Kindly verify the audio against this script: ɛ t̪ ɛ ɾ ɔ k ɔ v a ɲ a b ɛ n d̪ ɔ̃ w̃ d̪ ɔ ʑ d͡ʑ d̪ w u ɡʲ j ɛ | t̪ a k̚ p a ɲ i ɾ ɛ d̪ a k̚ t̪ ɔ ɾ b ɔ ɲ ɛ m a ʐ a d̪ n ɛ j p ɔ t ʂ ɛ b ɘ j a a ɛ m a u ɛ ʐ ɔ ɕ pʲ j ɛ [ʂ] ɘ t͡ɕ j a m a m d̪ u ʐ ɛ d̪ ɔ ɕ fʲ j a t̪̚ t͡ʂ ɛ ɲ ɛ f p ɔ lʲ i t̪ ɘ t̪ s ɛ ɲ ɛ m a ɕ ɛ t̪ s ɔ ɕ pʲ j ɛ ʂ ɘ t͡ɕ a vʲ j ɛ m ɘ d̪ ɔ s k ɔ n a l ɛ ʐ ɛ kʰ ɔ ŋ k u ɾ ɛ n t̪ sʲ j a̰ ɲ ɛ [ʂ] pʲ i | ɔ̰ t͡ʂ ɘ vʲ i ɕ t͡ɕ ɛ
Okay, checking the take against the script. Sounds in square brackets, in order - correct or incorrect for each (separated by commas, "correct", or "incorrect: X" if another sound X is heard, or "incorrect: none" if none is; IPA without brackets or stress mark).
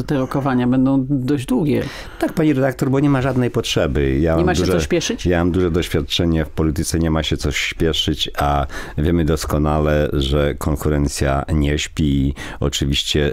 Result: correct, incorrect: ɕ